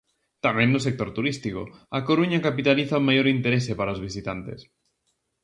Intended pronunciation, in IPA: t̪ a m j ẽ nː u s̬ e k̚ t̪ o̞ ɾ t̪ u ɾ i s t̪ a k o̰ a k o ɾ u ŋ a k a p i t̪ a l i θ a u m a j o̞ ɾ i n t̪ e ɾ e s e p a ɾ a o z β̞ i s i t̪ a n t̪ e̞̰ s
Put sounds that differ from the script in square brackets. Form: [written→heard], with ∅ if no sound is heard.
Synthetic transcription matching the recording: t̪ a m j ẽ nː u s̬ e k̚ t̪ o̞ ɾ t̪ u ɾ i s t̪ [a→i] k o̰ a k o ɾ u [ŋ→ɲ] a k a p i t̪ a l i θ a u m a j o̞ ɾ i n t̪ e ɾ e s e p a ɾ a o z β̞ i s i t̪ a n t̪ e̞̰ s